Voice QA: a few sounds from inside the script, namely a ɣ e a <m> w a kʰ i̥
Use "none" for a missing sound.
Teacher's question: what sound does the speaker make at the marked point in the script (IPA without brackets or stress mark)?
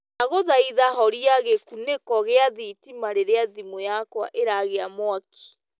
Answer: m